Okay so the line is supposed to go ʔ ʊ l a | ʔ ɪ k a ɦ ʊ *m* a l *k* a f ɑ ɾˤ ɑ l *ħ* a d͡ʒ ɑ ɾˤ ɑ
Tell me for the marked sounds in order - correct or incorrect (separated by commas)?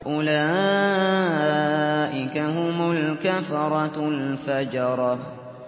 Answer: correct, correct, incorrect